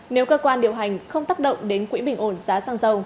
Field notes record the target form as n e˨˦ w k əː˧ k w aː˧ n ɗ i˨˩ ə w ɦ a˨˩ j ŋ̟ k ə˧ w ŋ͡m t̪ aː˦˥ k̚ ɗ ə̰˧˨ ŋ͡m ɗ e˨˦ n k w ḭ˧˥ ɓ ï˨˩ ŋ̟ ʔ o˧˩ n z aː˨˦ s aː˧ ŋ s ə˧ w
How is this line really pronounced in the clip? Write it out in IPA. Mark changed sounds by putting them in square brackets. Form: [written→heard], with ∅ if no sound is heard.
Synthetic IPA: n e˨˦ w k əː˧ k w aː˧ n ɗ i˨˩ ə w ɦ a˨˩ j ŋ̟ [k→x] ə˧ w ŋ͡m t̪ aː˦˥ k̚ ɗ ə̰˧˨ ŋ͡m ɗ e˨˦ n k w ḭ˧˥ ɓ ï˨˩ ŋ̟ ʔ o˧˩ n z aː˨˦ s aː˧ ŋ [s→z] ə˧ w